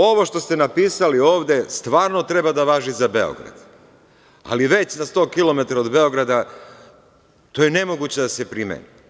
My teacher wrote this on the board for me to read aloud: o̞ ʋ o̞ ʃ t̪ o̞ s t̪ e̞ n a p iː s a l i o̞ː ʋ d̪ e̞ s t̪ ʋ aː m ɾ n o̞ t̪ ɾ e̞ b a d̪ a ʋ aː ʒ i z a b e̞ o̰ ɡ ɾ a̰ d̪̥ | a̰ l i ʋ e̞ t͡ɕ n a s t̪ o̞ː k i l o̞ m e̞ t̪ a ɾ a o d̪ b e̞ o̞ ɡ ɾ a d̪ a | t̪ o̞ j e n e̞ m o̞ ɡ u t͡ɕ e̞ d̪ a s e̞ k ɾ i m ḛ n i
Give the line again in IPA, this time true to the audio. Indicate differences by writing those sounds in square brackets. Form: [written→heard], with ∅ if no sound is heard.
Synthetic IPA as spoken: o̞ ʋ o̞ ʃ t̪ o̞ s t̪ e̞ n a p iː s a l i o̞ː ʋ d̪ e̞ s t̪ ʋ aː [m→∅] ɾ n o̞ t̪ ɾ e̞ b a d̪ a ʋ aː ʒ i z a b e̞ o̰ ɡ ɾ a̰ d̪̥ | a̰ l i ʋ e̞ t͡ɕ n a s t̪ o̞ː k i l o̞ m e̞ t̪ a ɾ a o d̪ b e̞ o̞ ɡ ɾ a d̪ a | t̪ o̞ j e n e̞ m o̞ ɡ u t͡ɕ e̞ d̪ a s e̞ [k→p] ɾ i m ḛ n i

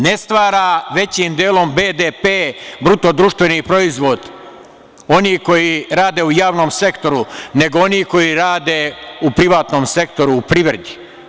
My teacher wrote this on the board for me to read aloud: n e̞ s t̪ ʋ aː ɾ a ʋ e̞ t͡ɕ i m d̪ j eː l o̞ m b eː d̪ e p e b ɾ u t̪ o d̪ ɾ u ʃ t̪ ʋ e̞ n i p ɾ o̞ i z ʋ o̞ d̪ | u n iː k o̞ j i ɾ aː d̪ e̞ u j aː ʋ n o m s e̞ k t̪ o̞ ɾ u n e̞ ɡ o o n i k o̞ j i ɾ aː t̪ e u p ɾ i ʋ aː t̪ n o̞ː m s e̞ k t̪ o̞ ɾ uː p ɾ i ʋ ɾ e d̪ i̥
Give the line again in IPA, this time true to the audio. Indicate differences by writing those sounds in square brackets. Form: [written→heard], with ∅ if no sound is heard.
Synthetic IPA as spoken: n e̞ s t̪ ʋ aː ɾ a ʋ e̞ t͡ɕ i m d̪ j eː l o̞ m b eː d̪ e p e b ɾ u t̪ o d̪ ɾ u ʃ t̪ ʋ e̞ n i p ɾ o̞ i z ʋ o̞ d̪ | [u→o] n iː k o̞ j i ɾ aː d̪ e̞ u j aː ʋ n o m s e̞ k t̪ o̞ ɾ u n e̞ ɡ o o n i k o̞ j i ɾ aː [t̪→d̪] e u p ɾ i ʋ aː t̪ n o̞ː m s e̞ k t̪ o̞ ɾ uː p ɾ i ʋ ɾ e d̪ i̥

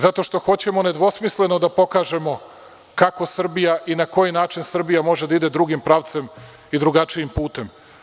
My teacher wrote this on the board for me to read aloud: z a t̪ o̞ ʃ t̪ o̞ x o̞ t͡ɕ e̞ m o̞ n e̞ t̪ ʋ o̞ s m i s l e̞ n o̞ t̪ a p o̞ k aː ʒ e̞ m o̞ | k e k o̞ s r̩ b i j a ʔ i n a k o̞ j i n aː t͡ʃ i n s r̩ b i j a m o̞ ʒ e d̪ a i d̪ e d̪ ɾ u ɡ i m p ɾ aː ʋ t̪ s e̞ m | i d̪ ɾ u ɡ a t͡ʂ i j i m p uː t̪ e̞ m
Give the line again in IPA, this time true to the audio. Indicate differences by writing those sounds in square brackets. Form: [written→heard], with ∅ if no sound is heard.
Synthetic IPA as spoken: z a t̪ o̞ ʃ t̪ o̞ x o̞ t͡ɕ e̞ m o̞ n e̞ [t̪→d̪] ʋ o̞ s m i s l e̞ n o̞ [t̪→d̪] a p o̞ k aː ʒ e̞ m o̞ | k [e→a] k o̞ s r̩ b i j a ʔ i n a k o̞ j i n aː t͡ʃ i n s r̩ b i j a m o̞ ʒ e d̪ a i d̪ e d̪ ɾ u ɡ i m p ɾ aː ʋ t̪ s e̞ m | i d̪ ɾ u ɡ a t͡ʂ i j i m p uː t̪ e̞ m

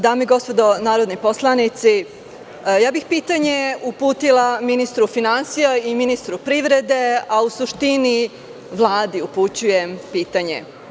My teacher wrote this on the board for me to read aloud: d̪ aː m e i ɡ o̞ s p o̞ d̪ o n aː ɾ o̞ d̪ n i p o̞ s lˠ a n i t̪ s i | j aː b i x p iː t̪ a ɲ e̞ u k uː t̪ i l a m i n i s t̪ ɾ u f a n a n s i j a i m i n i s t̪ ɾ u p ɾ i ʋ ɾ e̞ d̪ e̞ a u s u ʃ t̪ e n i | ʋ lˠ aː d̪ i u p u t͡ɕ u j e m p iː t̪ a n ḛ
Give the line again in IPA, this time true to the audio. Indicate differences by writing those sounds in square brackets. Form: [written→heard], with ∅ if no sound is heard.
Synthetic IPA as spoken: d̪ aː m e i ɡ o̞ s p o̞ d̪ o n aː ɾ o̞ d̪ n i p o̞ s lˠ a n i t̪ s i | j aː b i x p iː t̪ a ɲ e̞ u [k→p] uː t̪ i l a m i n i s t̪ ɾ u f [a→i] n a n s i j a i m i n i s t̪ ɾ u p ɾ i ʋ ɾ e̞ d̪ e̞ a u s u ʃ t̪ [e→i] n i | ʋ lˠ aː d̪ i u p u t͡ɕ u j e m p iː t̪ a [n→ɲ] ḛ

